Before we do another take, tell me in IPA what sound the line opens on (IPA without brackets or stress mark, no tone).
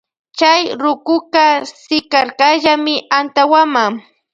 t͡ʃ